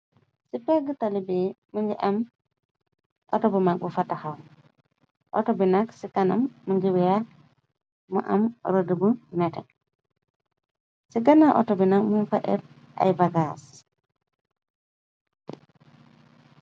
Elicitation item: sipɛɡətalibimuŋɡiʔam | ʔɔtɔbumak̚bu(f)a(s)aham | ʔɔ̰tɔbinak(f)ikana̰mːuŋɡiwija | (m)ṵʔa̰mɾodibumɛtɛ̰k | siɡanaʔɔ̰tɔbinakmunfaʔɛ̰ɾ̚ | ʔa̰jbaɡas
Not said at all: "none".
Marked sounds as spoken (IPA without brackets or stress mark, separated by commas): f, t, s, m